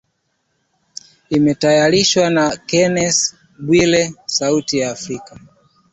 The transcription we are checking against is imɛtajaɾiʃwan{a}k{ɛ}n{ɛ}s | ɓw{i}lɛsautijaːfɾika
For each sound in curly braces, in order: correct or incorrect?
correct, correct, correct, correct

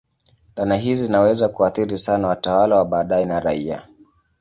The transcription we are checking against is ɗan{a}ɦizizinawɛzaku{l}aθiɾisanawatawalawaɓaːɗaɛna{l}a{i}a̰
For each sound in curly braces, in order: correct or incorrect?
correct, incorrect: none, incorrect: ɾ, correct

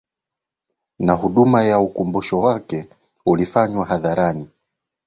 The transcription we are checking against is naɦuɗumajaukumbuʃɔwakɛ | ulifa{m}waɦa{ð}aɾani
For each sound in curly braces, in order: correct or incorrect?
incorrect: ɲ, correct

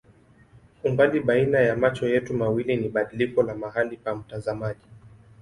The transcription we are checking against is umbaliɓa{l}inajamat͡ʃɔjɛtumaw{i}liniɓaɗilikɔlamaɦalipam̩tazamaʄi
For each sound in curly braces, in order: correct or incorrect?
incorrect: none, correct

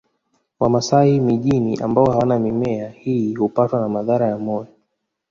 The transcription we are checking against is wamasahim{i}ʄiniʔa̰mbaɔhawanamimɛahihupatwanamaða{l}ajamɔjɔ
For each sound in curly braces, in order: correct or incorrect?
correct, incorrect: ɾ

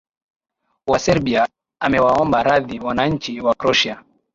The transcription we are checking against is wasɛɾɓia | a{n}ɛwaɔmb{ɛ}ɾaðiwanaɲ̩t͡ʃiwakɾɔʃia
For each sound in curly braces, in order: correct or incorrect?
incorrect: m, incorrect: a

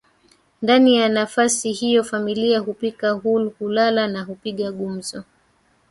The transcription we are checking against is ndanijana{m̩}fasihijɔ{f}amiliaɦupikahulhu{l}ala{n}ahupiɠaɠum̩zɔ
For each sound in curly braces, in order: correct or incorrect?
incorrect: none, correct, correct, correct

